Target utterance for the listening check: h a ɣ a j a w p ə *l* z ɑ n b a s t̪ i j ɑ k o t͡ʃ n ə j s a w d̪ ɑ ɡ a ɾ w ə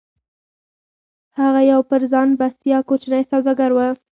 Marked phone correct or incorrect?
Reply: incorrect